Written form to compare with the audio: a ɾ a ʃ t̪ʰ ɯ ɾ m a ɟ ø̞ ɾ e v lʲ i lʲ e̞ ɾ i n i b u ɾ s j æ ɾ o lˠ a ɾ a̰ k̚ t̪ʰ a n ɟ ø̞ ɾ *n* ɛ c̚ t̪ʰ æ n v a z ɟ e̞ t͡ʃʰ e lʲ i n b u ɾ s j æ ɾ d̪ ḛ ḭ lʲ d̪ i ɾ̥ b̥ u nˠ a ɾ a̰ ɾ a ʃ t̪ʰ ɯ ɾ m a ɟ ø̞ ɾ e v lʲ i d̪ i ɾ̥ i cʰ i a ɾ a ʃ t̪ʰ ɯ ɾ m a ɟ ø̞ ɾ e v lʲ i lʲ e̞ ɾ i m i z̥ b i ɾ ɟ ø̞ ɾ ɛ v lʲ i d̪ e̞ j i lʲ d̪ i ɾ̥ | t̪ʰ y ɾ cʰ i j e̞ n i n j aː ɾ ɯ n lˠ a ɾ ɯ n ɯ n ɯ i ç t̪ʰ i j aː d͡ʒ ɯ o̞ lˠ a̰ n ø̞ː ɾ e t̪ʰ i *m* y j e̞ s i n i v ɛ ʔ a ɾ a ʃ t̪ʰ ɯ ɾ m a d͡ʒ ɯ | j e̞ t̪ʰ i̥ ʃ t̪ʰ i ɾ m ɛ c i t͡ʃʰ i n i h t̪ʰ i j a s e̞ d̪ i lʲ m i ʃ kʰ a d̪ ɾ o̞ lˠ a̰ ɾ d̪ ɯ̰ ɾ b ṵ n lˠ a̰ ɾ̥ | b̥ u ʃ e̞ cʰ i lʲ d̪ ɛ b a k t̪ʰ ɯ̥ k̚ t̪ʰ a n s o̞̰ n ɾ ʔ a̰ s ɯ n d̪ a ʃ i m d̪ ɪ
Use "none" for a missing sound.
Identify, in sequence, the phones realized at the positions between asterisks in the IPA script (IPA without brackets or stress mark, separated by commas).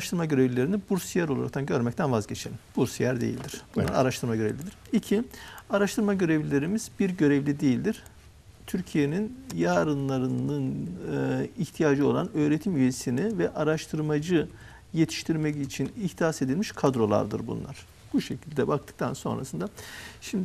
m, m